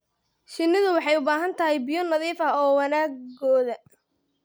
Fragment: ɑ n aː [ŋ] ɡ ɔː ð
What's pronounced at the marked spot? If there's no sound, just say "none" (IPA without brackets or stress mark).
ɡ